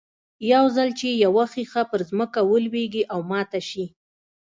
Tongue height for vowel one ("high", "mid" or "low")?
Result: low